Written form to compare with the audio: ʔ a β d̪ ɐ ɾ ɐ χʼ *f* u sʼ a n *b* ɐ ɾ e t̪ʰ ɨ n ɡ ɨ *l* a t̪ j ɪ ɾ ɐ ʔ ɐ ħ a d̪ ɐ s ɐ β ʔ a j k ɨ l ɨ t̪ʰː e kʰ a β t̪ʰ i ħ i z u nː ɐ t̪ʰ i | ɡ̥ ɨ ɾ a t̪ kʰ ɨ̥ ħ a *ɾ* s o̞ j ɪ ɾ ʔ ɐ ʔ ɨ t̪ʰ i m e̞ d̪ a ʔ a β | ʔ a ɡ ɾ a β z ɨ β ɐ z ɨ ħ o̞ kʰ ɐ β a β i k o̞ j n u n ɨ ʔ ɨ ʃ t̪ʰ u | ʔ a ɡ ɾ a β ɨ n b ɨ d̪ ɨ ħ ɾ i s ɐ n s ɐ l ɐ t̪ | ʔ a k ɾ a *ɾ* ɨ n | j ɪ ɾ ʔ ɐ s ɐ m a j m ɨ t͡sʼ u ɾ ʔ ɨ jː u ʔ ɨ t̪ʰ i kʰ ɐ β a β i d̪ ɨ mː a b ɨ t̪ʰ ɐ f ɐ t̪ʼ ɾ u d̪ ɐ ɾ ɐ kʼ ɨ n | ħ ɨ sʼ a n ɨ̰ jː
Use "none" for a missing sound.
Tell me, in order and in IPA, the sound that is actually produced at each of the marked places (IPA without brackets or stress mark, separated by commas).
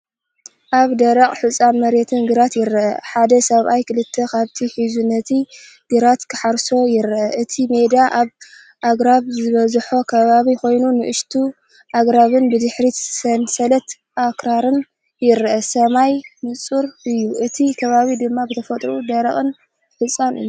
ħ, m, ɾ, ɾ, ɾ